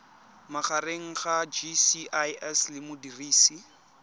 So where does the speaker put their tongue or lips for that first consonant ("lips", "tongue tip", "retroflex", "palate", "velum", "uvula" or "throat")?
lips